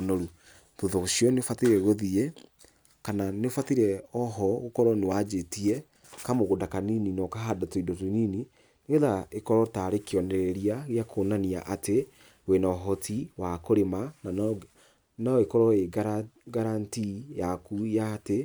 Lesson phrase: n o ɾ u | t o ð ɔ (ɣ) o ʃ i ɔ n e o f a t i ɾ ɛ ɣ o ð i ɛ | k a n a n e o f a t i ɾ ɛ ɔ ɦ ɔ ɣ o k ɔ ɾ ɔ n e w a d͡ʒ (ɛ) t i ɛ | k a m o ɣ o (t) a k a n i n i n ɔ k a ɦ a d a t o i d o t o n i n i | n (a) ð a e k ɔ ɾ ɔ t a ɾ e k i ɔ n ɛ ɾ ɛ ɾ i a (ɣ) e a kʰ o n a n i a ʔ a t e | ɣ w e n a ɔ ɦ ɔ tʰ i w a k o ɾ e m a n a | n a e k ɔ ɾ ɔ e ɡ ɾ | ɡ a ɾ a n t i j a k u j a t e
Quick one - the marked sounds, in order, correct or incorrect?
correct, incorrect: e, incorrect: d, incorrect: e, correct

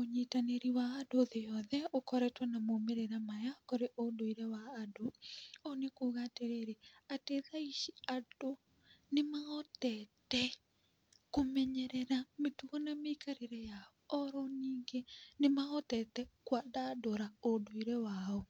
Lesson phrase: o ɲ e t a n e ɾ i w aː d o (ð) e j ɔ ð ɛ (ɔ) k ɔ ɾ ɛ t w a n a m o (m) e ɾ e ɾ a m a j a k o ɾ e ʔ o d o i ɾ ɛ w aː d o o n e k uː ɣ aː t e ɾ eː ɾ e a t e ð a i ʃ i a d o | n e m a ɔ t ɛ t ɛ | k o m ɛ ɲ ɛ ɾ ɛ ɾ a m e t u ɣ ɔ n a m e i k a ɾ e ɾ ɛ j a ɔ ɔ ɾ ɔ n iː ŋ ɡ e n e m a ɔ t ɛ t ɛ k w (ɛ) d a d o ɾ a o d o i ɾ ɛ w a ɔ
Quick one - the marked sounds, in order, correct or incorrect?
correct, incorrect: o, correct, incorrect: a

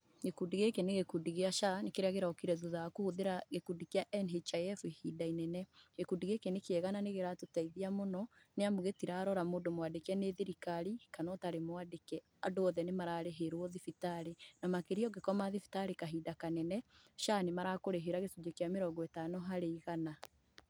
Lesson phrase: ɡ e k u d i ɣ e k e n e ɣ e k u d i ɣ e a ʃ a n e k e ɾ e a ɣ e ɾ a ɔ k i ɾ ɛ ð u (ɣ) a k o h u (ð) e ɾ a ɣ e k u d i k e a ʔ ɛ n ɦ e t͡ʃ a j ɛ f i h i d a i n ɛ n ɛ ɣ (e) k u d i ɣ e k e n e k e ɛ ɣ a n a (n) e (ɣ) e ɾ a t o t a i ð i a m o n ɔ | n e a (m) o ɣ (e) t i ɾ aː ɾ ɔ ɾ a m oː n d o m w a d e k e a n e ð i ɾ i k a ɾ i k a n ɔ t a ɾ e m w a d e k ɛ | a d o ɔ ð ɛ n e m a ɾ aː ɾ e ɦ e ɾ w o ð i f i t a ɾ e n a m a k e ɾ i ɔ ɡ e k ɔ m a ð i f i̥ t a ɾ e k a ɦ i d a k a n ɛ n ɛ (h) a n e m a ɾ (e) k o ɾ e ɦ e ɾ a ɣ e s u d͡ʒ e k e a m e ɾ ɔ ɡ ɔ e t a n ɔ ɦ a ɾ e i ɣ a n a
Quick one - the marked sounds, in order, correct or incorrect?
incorrect: ð, correct, correct, correct, correct, correct, correct, incorrect: ʃ, incorrect: a

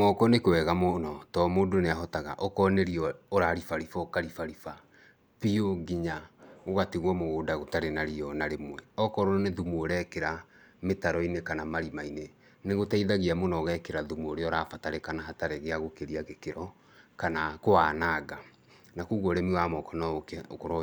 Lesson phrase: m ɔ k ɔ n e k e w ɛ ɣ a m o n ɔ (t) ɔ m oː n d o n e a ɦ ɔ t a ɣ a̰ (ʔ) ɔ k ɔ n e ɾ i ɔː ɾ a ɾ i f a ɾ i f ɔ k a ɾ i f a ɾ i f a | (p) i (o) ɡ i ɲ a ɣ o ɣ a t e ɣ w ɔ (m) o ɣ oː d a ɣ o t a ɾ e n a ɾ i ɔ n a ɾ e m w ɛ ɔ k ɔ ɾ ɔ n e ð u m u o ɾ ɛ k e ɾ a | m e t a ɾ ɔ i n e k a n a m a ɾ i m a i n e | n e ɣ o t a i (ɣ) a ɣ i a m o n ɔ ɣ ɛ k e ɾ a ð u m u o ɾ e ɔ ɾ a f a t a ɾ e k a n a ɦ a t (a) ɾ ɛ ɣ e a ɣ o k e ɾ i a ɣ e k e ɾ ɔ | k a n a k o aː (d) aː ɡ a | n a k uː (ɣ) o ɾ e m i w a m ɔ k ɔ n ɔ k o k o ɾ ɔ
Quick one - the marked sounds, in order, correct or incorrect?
correct, correct, correct, correct, correct, incorrect: ð, correct, incorrect: n, correct

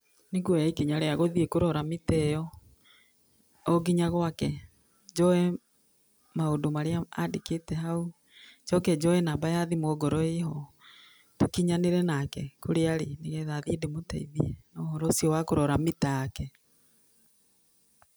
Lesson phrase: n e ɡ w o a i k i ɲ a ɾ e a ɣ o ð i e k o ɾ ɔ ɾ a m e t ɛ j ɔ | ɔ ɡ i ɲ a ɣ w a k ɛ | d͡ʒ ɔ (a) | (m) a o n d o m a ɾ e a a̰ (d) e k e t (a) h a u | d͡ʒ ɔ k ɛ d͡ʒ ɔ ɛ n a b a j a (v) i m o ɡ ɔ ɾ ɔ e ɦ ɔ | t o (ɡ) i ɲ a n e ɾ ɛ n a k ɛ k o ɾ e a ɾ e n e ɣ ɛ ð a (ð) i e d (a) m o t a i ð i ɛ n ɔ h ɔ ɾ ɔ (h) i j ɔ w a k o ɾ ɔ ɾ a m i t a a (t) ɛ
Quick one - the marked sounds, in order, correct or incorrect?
incorrect: ɛ, correct, correct, incorrect: ɛ, incorrect: ð, incorrect: k, correct, incorrect: e, incorrect: s, incorrect: k

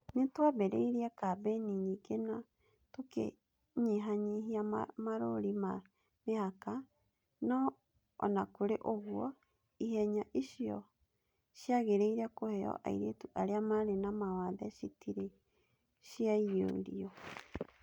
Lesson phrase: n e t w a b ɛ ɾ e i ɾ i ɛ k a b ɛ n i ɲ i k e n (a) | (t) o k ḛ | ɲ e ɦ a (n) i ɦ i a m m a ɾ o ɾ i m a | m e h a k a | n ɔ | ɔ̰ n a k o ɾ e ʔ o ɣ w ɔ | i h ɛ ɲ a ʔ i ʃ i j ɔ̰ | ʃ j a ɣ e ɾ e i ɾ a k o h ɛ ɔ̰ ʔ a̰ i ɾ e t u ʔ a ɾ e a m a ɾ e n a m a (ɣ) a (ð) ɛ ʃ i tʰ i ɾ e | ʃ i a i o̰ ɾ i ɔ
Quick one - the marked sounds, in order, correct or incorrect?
correct, correct, incorrect: ɲ, incorrect: w, correct

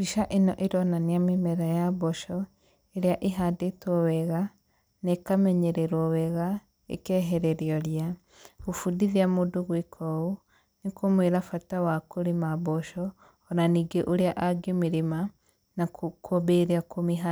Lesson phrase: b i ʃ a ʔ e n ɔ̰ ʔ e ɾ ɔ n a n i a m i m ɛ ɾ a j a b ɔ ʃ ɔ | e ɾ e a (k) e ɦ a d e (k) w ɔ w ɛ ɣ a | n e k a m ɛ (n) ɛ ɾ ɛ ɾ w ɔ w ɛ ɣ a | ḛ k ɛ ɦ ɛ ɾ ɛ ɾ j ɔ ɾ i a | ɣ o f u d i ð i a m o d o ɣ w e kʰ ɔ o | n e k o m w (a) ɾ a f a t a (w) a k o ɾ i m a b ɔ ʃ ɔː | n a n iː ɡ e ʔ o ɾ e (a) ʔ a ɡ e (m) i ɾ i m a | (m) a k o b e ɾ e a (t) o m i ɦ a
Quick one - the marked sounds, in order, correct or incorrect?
incorrect: ʔ, incorrect: t, incorrect: ɲ, incorrect: e, correct, correct, correct, incorrect: n, incorrect: k

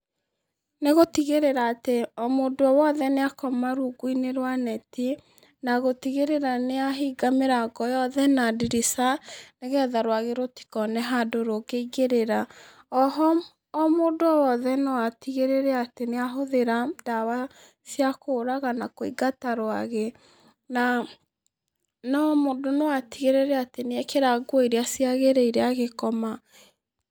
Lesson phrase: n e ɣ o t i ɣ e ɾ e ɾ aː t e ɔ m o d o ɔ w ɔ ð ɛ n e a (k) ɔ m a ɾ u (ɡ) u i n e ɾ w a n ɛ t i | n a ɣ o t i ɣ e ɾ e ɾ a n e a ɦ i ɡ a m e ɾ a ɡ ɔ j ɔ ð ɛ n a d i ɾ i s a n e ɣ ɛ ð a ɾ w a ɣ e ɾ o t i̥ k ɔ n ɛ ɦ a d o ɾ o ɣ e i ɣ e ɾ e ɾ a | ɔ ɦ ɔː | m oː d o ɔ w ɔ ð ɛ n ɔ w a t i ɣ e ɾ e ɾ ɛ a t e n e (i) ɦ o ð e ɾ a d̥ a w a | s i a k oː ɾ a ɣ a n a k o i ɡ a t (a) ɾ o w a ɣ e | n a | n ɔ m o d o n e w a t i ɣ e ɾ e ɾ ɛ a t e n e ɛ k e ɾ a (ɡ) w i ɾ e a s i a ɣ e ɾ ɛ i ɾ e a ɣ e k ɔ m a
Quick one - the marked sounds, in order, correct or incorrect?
correct, correct, incorrect: a, correct, correct

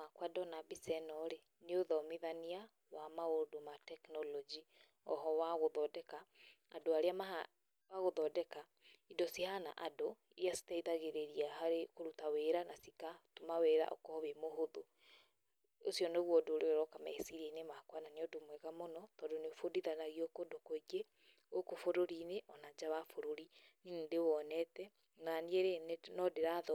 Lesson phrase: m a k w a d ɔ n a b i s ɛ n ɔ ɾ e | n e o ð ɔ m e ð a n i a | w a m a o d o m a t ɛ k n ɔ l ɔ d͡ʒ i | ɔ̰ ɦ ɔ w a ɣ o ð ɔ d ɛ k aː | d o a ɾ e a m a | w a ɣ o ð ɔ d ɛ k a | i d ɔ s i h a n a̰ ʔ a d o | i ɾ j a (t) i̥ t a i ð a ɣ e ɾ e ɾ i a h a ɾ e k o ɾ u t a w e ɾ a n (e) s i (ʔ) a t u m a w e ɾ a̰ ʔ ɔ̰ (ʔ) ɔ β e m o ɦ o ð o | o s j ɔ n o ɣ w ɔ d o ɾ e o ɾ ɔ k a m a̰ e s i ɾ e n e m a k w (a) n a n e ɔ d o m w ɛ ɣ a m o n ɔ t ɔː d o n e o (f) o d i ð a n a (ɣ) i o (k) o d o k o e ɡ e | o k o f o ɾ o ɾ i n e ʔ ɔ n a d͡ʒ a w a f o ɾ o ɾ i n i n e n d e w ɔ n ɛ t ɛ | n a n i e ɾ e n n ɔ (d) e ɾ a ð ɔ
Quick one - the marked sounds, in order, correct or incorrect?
incorrect: s, incorrect: a, incorrect: k, incorrect: k, correct, correct, correct, correct, correct

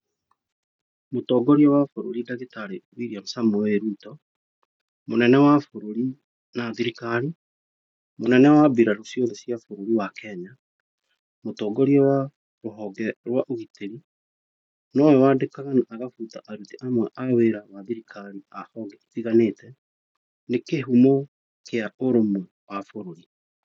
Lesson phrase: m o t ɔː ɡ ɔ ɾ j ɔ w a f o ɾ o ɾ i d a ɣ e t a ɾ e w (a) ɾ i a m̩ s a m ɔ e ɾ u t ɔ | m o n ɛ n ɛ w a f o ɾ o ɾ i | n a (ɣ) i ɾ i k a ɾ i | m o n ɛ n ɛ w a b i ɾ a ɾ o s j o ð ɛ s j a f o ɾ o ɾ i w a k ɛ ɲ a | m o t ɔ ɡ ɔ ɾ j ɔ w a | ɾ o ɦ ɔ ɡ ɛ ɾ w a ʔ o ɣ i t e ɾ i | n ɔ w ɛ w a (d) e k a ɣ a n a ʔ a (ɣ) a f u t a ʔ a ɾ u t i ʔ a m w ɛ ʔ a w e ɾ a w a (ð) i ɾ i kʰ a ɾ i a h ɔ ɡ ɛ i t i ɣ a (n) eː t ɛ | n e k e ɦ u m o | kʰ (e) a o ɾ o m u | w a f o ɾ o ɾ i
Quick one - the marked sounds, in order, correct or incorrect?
incorrect: i, incorrect: ð, correct, correct, correct, correct, correct

